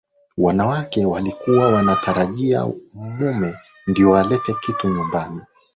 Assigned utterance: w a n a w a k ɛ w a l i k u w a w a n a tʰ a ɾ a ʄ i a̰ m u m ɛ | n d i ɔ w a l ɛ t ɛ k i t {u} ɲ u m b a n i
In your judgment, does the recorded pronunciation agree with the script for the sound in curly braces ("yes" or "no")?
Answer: yes